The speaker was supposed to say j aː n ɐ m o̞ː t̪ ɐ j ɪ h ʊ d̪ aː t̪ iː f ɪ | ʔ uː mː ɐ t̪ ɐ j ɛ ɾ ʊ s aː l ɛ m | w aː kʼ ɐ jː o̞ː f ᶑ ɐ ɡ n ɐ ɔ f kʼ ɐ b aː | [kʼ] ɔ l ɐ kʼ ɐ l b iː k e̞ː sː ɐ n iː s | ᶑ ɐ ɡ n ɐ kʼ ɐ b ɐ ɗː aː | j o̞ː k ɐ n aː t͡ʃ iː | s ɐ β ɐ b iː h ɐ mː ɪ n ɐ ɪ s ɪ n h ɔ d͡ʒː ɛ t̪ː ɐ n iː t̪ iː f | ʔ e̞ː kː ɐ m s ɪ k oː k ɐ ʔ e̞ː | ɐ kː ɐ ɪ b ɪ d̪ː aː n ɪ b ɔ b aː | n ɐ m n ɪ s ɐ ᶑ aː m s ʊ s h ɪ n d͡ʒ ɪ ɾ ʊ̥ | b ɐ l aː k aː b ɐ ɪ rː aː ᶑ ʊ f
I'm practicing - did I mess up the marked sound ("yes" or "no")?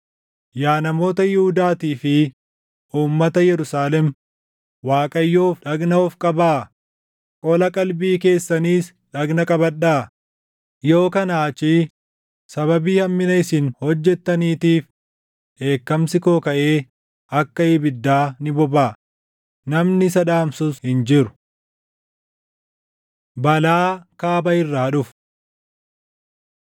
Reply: no